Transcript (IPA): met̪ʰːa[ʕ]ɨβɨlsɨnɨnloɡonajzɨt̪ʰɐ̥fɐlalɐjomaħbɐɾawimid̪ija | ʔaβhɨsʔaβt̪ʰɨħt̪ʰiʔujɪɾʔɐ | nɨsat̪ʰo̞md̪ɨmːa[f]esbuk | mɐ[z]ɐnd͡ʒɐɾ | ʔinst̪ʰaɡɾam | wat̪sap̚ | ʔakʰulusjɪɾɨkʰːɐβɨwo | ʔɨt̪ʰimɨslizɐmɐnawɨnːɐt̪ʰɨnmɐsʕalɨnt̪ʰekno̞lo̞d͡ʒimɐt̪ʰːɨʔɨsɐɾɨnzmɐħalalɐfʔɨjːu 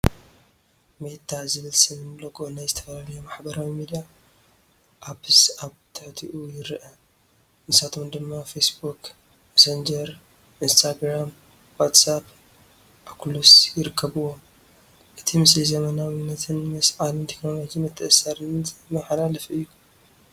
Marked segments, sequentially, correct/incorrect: incorrect: z, correct, incorrect: s

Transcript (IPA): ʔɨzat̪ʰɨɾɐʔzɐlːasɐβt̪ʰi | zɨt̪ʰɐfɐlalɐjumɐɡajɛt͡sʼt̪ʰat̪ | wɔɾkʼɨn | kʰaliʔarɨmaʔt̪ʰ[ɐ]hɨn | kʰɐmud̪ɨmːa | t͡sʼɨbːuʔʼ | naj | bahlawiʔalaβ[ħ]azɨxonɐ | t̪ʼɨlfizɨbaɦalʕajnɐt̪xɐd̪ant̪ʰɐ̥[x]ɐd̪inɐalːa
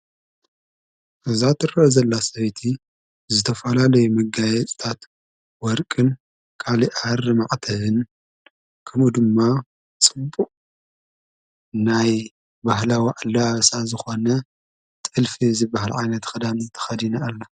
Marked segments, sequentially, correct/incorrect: correct, incorrect: s, correct

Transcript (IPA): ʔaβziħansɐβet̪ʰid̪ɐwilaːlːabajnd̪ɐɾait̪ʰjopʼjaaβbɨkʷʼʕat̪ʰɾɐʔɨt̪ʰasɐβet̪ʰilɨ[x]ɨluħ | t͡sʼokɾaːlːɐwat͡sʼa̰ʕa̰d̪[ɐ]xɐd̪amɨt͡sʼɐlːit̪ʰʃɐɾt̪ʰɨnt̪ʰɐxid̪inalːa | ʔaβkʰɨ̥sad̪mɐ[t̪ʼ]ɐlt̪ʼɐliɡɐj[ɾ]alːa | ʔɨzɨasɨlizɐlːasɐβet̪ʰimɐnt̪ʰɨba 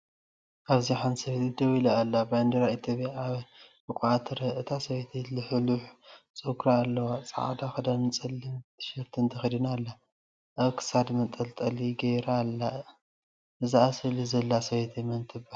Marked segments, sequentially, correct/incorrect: incorrect: ħ, incorrect: a, correct, correct

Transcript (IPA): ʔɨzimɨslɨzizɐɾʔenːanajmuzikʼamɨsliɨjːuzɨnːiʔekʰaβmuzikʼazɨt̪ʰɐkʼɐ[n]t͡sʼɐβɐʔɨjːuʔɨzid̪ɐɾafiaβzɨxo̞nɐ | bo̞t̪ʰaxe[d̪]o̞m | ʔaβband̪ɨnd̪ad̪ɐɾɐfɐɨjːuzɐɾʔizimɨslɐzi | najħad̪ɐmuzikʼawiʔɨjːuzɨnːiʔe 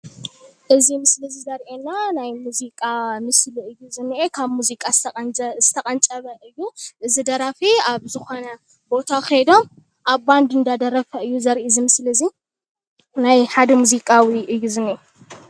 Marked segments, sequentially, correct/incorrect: correct, correct

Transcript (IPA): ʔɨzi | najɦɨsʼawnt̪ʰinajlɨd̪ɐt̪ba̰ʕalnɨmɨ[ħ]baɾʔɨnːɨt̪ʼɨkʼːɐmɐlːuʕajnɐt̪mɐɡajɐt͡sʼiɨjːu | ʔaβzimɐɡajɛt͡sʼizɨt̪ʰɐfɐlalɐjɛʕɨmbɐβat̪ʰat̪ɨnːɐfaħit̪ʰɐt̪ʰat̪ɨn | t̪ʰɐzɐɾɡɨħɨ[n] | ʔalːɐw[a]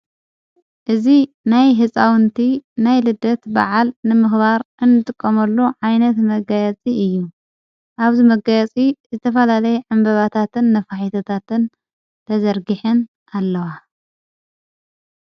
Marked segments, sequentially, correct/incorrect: incorrect: x, correct, correct

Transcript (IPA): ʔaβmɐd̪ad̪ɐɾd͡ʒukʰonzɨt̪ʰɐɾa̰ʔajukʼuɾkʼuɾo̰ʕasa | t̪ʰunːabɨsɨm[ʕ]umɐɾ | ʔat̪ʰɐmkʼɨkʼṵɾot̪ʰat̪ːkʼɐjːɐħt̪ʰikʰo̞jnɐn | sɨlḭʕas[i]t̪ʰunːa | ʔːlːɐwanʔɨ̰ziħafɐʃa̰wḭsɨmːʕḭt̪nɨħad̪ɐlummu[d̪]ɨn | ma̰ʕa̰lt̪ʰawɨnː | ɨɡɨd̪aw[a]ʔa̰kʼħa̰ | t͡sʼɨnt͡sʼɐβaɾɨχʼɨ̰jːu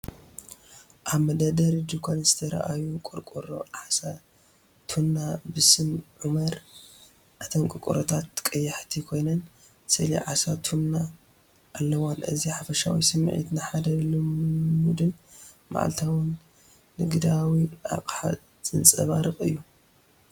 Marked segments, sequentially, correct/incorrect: correct, incorrect: a, correct, incorrect: i

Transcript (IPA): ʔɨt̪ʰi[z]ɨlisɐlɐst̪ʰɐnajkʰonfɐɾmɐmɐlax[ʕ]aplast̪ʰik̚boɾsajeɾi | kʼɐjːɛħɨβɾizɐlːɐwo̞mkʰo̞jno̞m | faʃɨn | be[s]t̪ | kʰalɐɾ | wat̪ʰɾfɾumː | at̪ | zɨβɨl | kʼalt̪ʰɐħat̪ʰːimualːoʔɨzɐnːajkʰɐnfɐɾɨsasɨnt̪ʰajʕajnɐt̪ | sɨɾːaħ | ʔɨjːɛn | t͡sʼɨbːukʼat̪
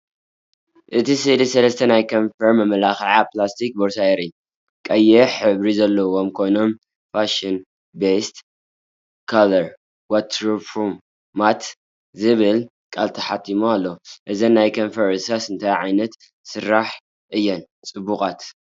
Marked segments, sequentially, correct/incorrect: incorrect: s, correct, correct

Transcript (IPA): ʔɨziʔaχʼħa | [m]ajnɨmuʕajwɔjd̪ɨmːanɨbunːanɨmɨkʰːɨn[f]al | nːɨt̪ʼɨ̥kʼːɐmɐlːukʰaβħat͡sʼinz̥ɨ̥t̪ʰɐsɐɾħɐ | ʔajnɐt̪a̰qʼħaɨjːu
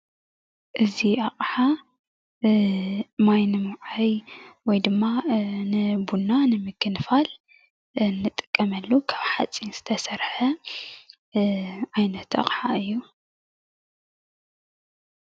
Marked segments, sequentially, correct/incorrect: correct, correct

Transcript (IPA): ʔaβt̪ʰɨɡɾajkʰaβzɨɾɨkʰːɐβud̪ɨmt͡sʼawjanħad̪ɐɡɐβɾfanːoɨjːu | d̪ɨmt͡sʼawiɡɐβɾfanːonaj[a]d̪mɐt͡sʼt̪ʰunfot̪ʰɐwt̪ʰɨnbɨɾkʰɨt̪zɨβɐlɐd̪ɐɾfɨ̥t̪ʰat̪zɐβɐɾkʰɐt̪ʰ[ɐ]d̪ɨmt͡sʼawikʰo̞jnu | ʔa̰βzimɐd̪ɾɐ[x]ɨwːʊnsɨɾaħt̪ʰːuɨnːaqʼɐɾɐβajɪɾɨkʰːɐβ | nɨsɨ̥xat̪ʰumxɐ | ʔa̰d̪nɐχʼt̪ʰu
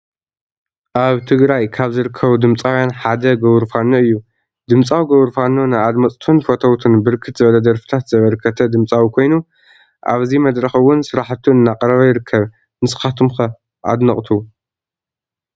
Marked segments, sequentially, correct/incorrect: correct, correct, correct

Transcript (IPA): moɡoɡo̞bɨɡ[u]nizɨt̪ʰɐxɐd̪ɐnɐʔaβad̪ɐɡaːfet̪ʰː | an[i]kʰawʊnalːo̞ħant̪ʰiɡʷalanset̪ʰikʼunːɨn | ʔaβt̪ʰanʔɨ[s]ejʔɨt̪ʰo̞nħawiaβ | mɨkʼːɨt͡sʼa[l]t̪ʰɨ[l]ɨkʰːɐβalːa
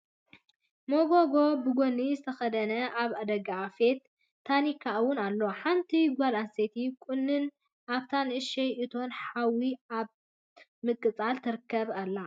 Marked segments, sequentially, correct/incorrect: incorrect: o, correct, incorrect: ʃ, correct, incorrect: ɾ

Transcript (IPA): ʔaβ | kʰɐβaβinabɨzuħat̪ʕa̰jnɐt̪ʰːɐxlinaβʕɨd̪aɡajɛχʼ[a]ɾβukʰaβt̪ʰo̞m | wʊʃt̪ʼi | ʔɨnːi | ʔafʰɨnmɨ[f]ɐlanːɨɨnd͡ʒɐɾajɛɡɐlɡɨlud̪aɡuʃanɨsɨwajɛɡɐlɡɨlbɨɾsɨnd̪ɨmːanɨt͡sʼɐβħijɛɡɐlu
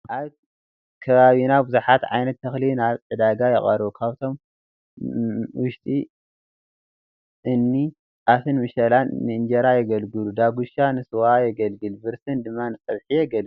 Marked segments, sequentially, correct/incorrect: incorrect: ɐ, incorrect: ʃ

